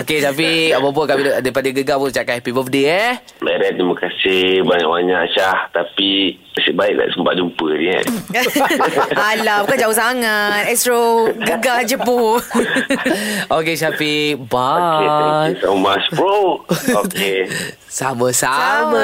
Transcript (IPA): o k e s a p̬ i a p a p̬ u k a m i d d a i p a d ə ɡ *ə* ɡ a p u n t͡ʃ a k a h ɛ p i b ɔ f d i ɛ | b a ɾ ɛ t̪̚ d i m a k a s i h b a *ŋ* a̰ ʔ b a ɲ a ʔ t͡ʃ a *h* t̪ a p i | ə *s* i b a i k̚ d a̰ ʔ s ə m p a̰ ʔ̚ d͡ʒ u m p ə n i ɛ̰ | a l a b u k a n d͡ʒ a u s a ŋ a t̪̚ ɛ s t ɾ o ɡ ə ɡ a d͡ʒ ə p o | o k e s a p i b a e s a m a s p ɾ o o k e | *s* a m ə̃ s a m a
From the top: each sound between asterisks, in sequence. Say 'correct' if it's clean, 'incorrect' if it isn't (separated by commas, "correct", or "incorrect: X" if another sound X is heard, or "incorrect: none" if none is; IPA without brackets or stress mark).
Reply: correct, incorrect: ɲ, correct, correct, correct